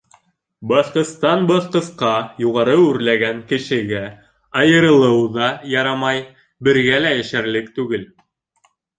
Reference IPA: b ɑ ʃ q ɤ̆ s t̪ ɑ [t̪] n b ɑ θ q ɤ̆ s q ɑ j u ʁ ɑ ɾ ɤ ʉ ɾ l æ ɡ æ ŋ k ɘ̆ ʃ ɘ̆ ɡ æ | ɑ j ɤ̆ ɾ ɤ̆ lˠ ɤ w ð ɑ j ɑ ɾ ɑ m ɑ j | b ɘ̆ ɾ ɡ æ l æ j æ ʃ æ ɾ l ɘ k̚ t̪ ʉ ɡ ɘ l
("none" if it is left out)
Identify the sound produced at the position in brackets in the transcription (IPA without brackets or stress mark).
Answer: none